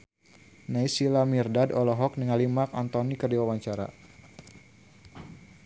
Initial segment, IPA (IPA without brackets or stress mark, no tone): n